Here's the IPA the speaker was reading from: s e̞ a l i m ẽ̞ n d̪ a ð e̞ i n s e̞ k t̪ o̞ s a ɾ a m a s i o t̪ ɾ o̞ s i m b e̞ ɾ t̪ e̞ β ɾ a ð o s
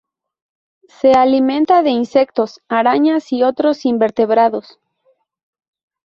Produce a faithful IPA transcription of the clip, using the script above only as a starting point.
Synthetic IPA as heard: s e̞ a l i m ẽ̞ n t̪ a ð e̞ i n s e̞ k t̪ o̞ s a ɾ a ɲ a s i o t̪ ɾ o̞ s i m b e̞ ɾ t̪ e̞ β ɾ a ð o s